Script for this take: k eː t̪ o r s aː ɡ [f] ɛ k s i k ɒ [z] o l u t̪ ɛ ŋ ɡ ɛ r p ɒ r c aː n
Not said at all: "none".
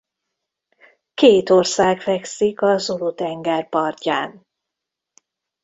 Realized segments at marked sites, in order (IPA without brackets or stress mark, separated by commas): f, z